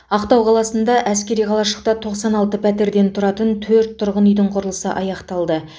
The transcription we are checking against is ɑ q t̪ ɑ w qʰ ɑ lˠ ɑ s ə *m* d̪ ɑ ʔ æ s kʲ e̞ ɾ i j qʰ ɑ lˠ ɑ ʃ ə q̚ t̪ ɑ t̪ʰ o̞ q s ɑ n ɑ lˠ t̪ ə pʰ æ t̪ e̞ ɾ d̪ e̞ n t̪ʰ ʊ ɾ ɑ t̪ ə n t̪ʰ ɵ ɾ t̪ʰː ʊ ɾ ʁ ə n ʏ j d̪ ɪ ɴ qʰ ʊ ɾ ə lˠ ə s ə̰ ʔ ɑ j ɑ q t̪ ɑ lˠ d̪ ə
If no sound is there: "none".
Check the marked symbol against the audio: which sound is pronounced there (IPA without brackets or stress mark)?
n